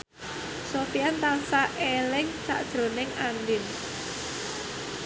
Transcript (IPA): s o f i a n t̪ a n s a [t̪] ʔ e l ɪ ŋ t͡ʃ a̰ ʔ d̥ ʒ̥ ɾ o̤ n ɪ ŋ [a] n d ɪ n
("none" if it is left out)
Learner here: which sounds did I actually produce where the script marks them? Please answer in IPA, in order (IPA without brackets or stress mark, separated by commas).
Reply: none, a